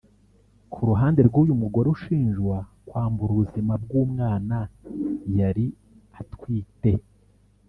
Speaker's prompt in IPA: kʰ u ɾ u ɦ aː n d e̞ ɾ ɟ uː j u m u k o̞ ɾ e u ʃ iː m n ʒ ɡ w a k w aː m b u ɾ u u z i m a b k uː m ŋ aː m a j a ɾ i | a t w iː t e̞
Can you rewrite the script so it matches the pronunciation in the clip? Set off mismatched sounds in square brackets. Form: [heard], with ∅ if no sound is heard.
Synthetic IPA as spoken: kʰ u ɾ u ɦ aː n d e̞ ɾ [ɡ] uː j u m u [ɡ] o̞ ɾ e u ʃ iː [∅] n ʒ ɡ w a k w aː m b u ɾ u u z i m a b [ɡ] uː m ŋ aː [n] a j a ɾ i | a t w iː t e̞